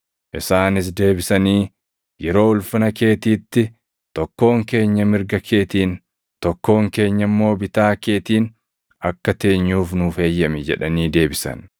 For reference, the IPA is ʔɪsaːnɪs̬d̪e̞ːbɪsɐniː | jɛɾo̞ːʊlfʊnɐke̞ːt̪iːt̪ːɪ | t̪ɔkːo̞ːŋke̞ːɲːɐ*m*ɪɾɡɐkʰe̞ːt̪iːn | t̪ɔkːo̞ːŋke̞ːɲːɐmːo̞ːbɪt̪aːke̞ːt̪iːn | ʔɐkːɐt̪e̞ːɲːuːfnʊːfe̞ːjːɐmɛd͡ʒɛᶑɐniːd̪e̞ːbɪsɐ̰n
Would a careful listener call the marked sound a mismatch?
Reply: no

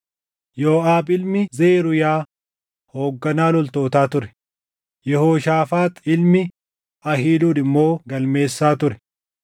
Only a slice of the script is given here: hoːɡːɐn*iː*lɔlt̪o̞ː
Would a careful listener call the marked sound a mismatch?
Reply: yes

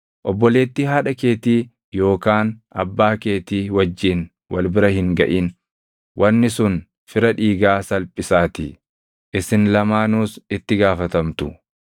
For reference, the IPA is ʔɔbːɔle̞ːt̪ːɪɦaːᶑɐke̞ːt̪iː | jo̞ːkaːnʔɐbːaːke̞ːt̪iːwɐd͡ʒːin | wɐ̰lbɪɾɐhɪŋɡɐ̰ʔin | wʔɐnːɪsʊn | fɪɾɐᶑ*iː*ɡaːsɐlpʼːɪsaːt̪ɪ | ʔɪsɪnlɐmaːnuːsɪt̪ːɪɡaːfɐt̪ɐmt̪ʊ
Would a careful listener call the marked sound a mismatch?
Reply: no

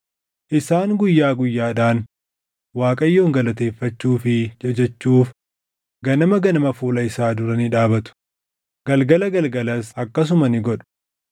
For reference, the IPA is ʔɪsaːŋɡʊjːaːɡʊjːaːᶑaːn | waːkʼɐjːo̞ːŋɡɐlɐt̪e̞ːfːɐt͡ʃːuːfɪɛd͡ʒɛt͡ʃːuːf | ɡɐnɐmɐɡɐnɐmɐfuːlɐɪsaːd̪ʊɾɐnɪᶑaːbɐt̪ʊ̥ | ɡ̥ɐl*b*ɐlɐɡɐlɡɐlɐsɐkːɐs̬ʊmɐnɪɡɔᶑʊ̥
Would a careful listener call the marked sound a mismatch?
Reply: yes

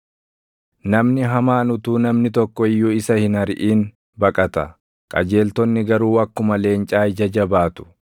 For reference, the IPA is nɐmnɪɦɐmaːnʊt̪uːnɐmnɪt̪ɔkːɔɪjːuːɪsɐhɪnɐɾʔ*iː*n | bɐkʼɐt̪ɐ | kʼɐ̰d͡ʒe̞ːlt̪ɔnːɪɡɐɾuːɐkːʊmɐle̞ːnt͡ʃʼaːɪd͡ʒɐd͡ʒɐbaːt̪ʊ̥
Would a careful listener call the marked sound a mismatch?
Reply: no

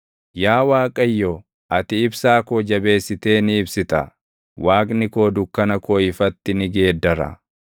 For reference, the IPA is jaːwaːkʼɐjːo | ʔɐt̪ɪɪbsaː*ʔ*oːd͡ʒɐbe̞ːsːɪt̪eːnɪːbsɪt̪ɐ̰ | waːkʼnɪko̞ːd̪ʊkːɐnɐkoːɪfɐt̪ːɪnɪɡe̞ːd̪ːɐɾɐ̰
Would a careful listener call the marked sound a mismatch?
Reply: yes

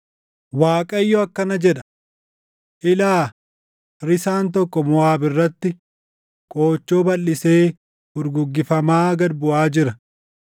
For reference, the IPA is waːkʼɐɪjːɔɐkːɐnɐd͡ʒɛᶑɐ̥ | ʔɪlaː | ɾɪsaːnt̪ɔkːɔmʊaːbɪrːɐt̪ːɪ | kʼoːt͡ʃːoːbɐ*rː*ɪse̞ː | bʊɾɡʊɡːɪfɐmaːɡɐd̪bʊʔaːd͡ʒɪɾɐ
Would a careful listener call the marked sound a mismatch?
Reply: yes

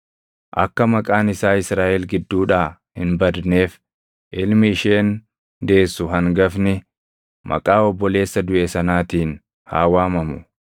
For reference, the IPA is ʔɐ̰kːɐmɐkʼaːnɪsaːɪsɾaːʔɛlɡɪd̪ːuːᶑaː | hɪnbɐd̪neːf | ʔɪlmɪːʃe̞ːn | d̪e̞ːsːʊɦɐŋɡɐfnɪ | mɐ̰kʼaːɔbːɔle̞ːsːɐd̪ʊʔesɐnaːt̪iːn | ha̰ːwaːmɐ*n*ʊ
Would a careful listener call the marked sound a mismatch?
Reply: yes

